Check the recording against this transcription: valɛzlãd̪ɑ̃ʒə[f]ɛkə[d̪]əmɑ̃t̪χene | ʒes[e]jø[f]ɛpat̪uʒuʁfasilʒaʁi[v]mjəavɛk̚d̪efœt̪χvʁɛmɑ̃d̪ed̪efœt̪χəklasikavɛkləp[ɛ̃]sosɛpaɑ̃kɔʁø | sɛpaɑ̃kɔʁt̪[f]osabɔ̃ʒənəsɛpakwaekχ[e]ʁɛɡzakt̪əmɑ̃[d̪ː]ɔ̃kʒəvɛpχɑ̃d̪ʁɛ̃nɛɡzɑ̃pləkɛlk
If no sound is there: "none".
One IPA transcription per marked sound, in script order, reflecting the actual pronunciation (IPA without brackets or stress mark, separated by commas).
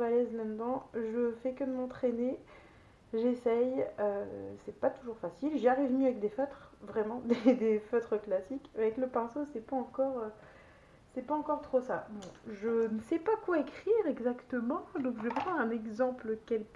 f, d̪, ɛ, s, v, ɛ̃, χ, i, d̪